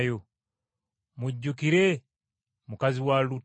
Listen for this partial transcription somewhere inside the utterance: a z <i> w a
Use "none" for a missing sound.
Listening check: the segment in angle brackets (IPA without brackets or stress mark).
i